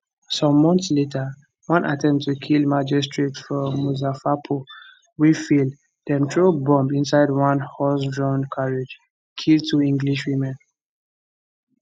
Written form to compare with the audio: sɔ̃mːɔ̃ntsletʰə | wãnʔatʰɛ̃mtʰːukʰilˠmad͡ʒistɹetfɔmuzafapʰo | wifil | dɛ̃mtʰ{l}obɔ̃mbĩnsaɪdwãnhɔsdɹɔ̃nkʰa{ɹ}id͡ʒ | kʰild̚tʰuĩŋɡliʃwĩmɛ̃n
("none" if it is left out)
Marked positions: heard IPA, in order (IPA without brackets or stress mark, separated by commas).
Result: ɹ, ɹ